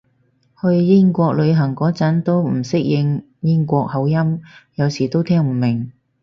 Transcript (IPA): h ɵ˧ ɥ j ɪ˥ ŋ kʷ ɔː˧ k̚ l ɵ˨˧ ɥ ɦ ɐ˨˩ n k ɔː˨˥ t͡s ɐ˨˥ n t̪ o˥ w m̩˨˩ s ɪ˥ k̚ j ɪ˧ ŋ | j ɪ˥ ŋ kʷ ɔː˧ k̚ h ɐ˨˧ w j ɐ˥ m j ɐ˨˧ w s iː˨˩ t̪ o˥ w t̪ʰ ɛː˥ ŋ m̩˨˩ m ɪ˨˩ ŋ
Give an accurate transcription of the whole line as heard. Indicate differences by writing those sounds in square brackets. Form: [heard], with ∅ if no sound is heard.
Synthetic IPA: h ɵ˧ ɥ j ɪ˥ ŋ kʷ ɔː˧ k̚ l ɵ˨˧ ɥ ɦ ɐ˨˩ [ŋ] k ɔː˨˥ t͡s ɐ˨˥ n t̪ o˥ w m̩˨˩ s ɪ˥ k̚ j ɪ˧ ŋ | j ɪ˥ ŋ kʷ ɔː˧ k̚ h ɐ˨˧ w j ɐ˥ m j ɐ˨˧ w s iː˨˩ t̪ o˥ w t̪ʰ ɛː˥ ŋ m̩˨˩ m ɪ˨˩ ŋ

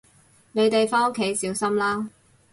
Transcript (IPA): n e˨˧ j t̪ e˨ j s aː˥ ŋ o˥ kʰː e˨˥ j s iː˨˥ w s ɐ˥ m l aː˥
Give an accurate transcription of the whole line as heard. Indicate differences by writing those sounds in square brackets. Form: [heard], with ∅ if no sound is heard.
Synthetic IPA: n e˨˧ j t̪ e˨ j [f] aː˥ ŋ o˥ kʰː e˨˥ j s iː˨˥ w s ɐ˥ m l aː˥

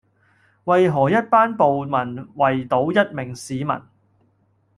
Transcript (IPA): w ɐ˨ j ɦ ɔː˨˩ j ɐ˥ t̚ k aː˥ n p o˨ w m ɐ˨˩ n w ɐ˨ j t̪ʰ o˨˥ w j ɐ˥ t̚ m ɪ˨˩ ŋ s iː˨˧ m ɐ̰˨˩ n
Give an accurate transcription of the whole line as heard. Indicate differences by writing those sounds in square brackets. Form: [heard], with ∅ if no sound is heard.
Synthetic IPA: w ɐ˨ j ɦ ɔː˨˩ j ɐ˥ t̚ [p] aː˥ n p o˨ w m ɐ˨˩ n w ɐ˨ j [t̪] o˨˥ w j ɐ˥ t̚ m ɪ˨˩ ŋ s iː˨˧ m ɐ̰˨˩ n

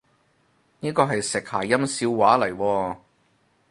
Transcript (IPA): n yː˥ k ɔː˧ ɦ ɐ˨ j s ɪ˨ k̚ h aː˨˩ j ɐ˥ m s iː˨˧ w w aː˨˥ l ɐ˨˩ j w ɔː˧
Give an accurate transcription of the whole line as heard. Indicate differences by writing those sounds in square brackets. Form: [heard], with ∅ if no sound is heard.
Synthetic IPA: n [iː˥] k ɔː˧ ɦ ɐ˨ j s ɪ˨ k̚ h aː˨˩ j ɐ˥ m s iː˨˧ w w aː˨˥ l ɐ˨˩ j w ɔː˧

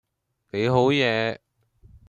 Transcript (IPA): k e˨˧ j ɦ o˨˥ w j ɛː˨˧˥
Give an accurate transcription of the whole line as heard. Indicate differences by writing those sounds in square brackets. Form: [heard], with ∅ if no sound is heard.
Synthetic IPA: k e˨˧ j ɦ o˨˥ w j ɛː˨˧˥

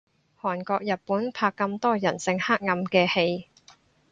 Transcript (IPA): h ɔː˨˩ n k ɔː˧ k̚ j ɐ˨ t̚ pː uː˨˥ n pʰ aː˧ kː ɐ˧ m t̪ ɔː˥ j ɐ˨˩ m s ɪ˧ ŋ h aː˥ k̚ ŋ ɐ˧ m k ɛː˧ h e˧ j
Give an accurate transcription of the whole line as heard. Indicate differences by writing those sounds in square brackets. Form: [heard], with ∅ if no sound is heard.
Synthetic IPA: h ɔː˨˩ n k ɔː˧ k̚ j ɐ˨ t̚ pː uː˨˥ n pʰ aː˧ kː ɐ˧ m t̪ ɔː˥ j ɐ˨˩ [n] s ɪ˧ ŋ h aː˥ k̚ ŋ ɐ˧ m k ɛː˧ h e˧ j

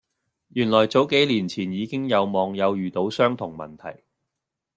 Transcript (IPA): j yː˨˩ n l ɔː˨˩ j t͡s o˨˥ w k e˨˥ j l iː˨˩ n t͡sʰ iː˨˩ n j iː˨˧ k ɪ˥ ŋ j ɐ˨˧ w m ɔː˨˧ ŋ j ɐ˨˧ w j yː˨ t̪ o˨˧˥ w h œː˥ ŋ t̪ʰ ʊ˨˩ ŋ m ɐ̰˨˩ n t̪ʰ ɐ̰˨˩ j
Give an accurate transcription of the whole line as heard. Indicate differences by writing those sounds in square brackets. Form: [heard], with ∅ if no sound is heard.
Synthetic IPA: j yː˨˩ n l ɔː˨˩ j t͡s o˨˥ w k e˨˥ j l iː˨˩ n t͡sʰ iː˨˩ n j iː˨˧ k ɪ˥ ŋ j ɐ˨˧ w m ɔː˨˧ ŋ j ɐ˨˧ w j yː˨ t̪ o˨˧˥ w [s] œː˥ ŋ t̪ʰ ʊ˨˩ ŋ m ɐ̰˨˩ n t̪ʰ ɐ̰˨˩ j

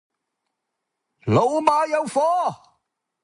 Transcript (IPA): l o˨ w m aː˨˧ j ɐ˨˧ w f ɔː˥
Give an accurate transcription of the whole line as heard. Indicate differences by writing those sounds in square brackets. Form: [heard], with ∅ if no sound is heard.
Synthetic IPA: l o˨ w m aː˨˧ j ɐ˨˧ w f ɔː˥

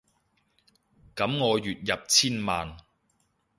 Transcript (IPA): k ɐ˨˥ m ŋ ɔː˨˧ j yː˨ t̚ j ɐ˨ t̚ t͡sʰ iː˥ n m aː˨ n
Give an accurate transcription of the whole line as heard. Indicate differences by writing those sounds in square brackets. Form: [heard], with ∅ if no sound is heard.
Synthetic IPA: k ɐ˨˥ m ŋ ɔː˨˧ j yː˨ t̚ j ɐ˨ [p̚] t͡sʰ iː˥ n m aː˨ n

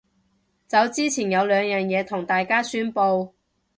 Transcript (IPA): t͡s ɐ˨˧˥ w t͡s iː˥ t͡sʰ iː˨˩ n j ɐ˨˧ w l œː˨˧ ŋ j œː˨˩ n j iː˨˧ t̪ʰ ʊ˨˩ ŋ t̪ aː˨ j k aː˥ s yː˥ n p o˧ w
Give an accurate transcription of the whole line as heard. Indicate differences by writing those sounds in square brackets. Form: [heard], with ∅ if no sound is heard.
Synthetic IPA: t͡s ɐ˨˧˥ w t͡s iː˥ t͡sʰ iː˨˩ n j ɐ˨˧ w l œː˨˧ ŋ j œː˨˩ n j [ɛː˨˧] t̪ʰ ʊ˨˩ ŋ t̪ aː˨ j k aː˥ s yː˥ n p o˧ w

